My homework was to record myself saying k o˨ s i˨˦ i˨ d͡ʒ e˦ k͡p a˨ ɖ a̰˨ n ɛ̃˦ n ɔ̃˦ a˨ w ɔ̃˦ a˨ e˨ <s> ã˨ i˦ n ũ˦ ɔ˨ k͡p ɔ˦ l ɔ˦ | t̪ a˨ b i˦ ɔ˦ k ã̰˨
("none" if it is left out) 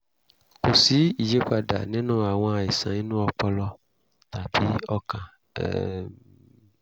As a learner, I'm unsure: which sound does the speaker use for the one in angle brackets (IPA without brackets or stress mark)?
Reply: s